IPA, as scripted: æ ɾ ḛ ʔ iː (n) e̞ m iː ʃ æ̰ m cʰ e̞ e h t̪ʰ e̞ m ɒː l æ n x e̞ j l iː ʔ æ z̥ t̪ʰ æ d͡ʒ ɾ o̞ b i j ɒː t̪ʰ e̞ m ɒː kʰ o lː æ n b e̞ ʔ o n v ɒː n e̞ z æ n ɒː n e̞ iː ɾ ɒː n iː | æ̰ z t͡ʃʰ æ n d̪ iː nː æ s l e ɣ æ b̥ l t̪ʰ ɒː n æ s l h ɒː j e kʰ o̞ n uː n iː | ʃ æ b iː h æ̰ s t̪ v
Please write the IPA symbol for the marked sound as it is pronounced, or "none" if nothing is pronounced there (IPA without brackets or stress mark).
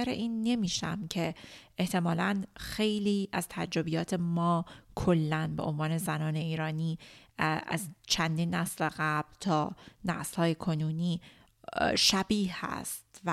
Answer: nː